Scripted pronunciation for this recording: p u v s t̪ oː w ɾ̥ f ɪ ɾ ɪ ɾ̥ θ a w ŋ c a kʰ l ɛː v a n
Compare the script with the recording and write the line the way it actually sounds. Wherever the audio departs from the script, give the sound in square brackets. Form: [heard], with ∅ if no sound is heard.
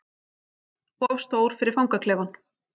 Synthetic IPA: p [ɔ] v s t̪ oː w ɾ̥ f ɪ ɾ ɪ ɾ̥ [f] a w ŋ [k] a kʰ l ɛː v a n

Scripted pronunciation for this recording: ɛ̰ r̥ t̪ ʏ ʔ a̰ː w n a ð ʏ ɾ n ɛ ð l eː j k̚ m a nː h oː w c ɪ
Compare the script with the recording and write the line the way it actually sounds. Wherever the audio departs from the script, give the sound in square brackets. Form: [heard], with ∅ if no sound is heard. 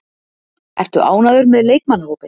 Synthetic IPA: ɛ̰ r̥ t̪ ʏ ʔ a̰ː w n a ð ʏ ɾ [m] ɛ ð l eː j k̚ m a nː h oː w [p] ɪ

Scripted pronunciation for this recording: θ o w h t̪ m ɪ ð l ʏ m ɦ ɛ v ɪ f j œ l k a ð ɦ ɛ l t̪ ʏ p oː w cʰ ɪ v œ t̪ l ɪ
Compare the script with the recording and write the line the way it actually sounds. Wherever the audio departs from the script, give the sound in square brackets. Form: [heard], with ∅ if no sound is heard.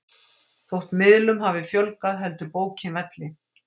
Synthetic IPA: θ o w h t̪ m ɪ ð l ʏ m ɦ [a] v ɪ f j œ l k a ð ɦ ɛ l t̪ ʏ p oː w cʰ ɪ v [ɛ] t̪ l ɪ

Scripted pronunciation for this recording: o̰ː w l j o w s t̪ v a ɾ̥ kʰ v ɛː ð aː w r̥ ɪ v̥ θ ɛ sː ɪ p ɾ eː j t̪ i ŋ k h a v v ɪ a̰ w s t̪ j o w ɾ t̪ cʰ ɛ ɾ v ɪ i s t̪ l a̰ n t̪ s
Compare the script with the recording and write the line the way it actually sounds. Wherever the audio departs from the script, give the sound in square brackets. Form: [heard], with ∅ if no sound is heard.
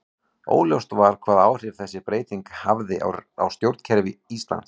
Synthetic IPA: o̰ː w l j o w s t̪ v a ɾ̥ kʰ v [aː] ð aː w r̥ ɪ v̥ θ ɛ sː ɪ p ɾ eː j t̪ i ŋ k h a v [ð] ɪ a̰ w s t̪ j o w ɾ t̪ cʰ ɛ ɾ v ɪ i s t̪ l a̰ n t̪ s

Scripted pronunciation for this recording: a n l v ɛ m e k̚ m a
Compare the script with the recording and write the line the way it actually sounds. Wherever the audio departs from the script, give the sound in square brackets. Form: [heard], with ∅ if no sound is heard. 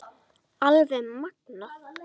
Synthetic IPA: a [∅] l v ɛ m [a] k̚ [n] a

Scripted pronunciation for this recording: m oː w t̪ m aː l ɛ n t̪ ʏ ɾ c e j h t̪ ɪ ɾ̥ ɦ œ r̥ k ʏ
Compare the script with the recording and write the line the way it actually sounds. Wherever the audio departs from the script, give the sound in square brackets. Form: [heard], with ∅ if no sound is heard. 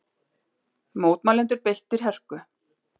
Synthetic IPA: m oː w t̪ m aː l ɛ n t̪ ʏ ɾ [p] e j h t̪ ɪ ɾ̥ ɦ [ɛ] r̥ k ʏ

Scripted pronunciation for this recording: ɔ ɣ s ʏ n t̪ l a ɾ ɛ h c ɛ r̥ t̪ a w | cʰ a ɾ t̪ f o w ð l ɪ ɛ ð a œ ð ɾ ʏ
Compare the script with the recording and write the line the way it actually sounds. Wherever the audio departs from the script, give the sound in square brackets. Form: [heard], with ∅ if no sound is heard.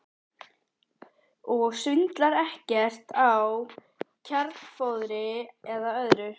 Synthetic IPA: ɔ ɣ s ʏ n t̪ l a ɾ ɛ h c ɛ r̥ t̪ a w | cʰ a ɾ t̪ f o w ð [ɾ] ɪ ɛ ð a œ ð ɾ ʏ

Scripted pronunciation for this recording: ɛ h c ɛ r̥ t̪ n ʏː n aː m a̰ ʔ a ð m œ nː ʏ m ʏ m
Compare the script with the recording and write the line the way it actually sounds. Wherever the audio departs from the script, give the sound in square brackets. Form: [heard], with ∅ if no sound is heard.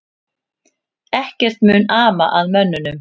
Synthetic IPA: ɛ h c ɛ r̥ t̪ [m] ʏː n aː m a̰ ʔ a ð m œ nː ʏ [n] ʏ m

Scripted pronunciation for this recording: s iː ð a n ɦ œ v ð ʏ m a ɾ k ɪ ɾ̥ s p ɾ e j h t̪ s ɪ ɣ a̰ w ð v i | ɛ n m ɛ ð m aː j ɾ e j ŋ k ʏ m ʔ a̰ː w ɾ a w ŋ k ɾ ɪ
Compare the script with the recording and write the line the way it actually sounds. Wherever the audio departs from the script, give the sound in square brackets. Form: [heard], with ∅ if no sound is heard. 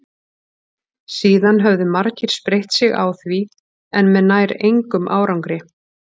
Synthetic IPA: s iː ð a n ɦ œ v ð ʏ m a ɾ [c] ɪ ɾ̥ s p ɾ e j h t̪ s ɪ ɣ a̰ w [θ] v i | ɛ n m ɛ ð [n] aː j ɾ e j ŋ k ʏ m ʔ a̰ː w ɾ a w ŋ k ɾ ɪ

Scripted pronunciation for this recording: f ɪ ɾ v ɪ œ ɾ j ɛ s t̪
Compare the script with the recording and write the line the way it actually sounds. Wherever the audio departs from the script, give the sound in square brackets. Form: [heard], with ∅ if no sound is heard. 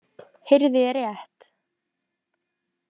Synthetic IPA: [h] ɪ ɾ [ð] ɪ [ɛ] ɾ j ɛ [h] t̪

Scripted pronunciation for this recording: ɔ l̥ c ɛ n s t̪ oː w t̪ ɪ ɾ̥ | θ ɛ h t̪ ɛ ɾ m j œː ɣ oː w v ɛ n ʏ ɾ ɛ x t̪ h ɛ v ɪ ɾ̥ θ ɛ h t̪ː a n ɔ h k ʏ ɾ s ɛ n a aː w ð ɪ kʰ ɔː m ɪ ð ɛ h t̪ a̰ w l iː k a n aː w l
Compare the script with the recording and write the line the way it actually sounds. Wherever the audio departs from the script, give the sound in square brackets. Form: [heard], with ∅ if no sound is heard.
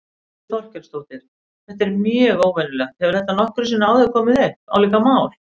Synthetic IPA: ɔ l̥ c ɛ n s t̪ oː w t̪ ɪ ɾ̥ | θ ɛ h t̪ ɛ ɾ m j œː ɣ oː w v ɛ n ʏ [l] ɛ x t̪ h ɛ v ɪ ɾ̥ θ ɛ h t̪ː a n ɔ h k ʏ ɾ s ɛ n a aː w ð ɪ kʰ ɔː m ɪ ð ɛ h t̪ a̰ w l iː k a [m] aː w l

